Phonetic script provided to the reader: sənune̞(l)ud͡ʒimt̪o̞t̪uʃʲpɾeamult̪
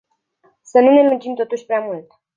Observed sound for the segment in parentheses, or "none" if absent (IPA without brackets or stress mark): l